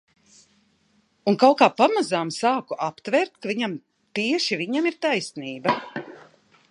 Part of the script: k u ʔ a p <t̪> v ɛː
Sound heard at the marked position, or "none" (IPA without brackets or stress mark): t̪